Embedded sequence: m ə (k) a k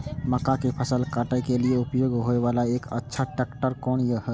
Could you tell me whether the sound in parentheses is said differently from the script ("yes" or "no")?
no